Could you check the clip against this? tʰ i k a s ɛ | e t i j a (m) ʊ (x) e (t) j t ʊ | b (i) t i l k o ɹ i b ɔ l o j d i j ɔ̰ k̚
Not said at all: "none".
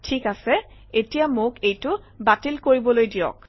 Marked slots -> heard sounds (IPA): m, k, none, a

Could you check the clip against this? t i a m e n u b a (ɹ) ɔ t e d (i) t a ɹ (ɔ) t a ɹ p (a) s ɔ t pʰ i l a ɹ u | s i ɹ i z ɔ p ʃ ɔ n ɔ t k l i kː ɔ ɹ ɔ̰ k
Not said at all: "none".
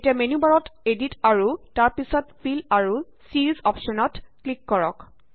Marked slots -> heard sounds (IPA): ɹ, i, u, i

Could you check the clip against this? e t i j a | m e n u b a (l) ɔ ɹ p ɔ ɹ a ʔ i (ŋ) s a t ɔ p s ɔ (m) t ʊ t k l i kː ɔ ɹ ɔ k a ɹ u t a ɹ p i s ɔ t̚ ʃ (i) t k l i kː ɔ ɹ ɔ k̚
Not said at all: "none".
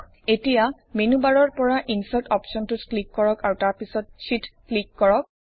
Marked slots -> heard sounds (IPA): ɹ, n, n, i

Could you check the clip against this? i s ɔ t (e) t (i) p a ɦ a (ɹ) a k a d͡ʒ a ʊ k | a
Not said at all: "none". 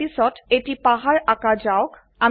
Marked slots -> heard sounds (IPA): e, i, ɹ

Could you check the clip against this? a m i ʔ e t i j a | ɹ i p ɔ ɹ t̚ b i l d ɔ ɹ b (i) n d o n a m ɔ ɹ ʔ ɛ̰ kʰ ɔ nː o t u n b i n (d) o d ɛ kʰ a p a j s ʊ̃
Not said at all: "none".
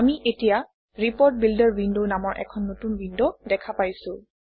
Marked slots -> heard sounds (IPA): i, d

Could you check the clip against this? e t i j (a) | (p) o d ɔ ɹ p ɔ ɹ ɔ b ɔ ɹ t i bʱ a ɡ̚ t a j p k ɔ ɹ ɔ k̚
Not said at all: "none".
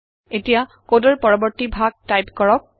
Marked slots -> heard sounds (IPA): a, k

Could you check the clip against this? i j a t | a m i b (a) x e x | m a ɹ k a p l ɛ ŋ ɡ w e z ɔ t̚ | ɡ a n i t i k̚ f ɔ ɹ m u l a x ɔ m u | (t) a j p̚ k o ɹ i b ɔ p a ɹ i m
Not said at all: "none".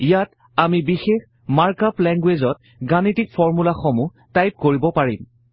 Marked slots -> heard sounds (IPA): i, t

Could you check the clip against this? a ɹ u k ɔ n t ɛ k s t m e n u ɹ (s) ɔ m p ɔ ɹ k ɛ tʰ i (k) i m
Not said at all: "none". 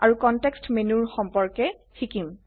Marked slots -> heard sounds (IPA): x, k

